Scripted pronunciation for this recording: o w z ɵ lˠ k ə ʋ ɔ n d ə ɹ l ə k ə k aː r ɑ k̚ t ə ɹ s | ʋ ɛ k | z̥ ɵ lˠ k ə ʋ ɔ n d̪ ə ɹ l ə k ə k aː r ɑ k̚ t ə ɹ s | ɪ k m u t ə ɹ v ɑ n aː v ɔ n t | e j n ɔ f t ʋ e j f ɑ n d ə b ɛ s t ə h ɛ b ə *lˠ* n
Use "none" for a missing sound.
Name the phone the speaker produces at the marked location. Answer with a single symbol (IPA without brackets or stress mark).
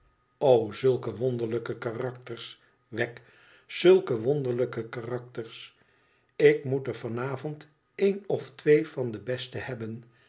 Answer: none